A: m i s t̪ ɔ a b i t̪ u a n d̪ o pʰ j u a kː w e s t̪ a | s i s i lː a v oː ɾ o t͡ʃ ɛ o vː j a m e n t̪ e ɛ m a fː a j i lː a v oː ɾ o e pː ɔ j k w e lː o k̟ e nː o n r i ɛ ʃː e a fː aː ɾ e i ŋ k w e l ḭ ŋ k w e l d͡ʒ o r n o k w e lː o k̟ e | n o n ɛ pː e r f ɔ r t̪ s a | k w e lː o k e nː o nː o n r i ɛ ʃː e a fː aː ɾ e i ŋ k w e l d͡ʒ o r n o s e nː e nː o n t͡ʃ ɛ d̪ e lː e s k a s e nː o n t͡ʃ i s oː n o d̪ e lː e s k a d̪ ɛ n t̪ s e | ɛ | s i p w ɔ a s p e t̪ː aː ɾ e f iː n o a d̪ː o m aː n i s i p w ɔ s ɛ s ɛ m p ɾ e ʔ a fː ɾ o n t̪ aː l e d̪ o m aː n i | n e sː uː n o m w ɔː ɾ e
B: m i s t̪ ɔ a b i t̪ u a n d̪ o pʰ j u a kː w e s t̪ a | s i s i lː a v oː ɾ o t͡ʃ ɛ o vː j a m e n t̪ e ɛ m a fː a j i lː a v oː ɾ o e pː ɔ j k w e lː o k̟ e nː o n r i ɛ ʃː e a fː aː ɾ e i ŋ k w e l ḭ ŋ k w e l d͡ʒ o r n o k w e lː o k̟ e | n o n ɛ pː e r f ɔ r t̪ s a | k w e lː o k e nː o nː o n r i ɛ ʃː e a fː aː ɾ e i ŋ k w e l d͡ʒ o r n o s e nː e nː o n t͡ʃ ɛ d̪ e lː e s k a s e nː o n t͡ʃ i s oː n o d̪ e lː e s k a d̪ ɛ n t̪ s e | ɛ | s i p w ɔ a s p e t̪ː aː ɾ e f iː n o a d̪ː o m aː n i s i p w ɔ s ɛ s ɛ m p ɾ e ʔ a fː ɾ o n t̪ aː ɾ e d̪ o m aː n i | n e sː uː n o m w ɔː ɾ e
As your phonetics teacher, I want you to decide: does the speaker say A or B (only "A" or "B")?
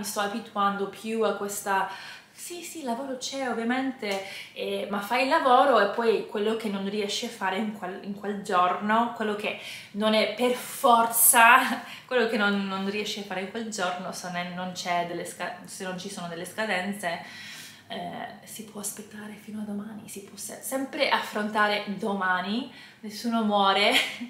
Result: B